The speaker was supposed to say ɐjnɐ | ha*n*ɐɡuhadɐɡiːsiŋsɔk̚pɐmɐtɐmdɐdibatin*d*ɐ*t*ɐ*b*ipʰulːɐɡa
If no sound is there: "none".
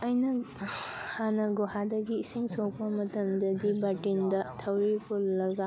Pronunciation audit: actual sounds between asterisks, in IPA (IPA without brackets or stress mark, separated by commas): n, d, tʰ, w